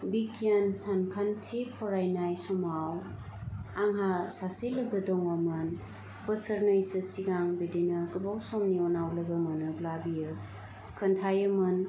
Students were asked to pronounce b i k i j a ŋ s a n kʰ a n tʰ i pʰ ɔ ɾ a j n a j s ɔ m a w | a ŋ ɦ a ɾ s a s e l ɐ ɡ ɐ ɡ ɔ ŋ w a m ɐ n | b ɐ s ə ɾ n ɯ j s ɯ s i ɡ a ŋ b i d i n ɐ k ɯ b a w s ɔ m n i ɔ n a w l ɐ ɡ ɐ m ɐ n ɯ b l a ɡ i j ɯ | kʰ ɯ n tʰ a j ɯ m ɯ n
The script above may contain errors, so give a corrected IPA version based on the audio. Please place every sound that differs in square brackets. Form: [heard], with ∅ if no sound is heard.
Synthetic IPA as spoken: b i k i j a [n] s a n kʰ a n tʰ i pʰ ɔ ɾ a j n a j s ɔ m a w | a ŋ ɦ a [∅] s a s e l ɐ ɡ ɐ [d] ɔ ŋ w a m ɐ n | b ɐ s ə ɾ n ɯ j s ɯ s i ɡ a ŋ b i d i n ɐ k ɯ b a w s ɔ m n i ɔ n a w l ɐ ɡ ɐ m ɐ n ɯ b l a [b] i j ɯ | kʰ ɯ n tʰ a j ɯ m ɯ n